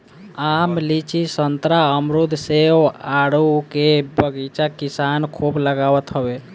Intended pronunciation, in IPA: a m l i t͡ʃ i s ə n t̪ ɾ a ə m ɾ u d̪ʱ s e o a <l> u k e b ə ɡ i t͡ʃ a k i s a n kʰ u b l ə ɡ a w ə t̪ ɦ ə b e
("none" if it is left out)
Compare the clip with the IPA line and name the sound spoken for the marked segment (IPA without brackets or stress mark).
ɽ